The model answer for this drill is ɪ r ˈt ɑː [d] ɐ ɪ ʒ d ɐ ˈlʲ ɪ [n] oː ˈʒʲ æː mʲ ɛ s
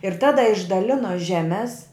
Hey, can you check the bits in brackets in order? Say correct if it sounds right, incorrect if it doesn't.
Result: correct, correct

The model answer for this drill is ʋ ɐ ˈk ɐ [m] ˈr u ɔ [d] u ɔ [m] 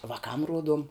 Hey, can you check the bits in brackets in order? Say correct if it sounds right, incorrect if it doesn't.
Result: correct, correct, correct

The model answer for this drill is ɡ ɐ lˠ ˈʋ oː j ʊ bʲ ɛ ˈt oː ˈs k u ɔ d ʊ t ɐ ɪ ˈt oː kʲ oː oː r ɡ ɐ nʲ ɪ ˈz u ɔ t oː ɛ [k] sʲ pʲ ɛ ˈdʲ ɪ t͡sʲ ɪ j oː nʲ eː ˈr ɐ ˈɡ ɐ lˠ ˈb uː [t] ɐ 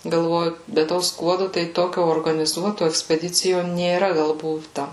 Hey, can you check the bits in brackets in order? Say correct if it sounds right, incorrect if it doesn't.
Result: correct, correct

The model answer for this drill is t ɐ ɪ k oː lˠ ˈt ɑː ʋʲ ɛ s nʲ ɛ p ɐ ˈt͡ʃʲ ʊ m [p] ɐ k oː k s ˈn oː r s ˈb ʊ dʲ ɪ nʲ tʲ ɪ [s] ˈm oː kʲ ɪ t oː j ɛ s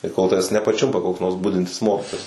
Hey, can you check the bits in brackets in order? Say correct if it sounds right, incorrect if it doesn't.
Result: correct, correct

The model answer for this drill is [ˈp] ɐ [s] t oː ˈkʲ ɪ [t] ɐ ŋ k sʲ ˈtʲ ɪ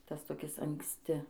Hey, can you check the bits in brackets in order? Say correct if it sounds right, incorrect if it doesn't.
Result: incorrect: t, correct, incorrect: s

